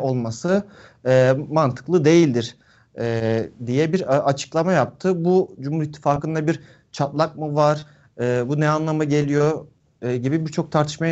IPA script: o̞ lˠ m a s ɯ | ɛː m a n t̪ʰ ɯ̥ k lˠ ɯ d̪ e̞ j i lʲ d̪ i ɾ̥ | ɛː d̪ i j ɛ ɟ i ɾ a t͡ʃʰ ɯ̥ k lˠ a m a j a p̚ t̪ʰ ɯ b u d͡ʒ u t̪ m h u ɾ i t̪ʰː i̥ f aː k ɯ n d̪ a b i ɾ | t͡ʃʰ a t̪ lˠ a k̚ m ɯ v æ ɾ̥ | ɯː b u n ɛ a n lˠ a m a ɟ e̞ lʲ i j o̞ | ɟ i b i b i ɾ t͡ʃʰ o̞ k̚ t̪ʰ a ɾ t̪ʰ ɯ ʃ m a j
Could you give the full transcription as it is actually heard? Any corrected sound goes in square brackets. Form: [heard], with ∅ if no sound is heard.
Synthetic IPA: o̞ lˠ m a s ɯ | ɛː m a n t̪ʰ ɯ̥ k lˠ ɯ d̪ e̞ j i lʲ d̪ i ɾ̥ | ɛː d̪ i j ɛ [b] i ɾ a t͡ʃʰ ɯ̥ k lˠ a m a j a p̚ t̪ʰ ɯ b u d͡ʒ u [∅] m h u ɾ i t̪ʰː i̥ f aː k ɯ n d̪ a b i ɾ | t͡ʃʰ a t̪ lˠ a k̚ m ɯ v [a] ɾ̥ | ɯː b u n ɛ a n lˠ a m a ɟ e̞ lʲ i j o̞ | ɟ i b i b i ɾ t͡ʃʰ o̞ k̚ t̪ʰ a ɾ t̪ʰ ɯ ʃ m a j